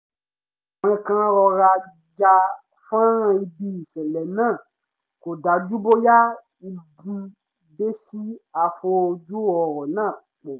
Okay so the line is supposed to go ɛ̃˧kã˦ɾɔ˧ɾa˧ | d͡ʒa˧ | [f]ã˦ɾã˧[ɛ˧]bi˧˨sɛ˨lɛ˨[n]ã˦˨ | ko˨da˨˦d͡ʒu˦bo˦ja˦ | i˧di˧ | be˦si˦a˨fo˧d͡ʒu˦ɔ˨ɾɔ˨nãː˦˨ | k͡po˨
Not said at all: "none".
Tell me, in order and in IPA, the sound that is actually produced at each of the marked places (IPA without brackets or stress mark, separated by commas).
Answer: f, i˧, n